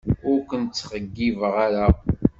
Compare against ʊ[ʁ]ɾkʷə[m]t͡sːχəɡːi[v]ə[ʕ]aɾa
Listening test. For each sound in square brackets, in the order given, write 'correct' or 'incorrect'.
incorrect: none, incorrect: n, correct, incorrect: ʁ

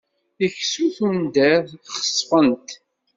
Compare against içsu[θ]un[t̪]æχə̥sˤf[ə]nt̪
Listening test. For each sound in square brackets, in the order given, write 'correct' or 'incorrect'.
correct, incorrect: d̪, correct

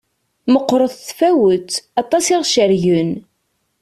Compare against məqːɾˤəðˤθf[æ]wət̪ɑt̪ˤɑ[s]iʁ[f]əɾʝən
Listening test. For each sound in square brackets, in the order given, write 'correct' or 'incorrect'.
correct, correct, incorrect: ʃ

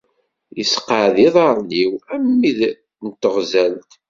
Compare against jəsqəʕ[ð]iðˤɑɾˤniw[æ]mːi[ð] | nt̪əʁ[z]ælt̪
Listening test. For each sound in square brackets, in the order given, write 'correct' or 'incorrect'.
correct, correct, correct, correct

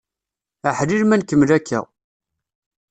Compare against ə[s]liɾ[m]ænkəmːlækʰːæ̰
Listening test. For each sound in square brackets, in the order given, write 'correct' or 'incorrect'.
incorrect: ħ, correct

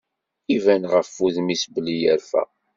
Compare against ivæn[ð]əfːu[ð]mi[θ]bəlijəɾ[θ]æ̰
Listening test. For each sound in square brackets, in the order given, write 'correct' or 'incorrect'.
incorrect: ʁ, correct, incorrect: s, incorrect: f

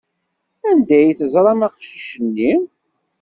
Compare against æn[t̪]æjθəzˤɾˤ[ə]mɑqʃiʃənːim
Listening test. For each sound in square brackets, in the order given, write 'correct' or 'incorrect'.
incorrect: d̪, incorrect: ɑ

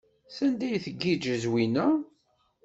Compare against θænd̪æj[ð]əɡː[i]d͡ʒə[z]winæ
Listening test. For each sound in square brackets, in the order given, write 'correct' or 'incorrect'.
incorrect: θ, correct, correct

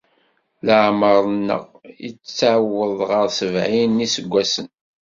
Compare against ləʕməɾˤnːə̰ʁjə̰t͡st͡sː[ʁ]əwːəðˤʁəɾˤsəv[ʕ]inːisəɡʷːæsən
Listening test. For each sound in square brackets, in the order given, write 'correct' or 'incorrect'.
incorrect: ʕ, correct

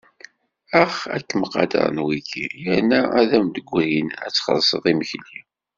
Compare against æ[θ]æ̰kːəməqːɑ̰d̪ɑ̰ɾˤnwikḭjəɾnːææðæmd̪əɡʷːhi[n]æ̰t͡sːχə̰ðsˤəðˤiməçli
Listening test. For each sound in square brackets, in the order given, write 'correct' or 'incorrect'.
incorrect: χ, correct

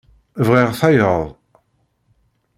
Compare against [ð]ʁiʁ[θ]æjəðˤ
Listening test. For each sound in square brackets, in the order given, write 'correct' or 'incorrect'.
incorrect: v, correct

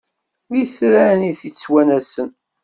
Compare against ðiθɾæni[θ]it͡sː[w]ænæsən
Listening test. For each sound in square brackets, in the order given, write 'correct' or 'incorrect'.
correct, correct

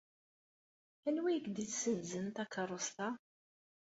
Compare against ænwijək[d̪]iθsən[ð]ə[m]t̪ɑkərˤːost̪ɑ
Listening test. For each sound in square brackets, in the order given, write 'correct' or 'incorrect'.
correct, incorrect: z, incorrect: n

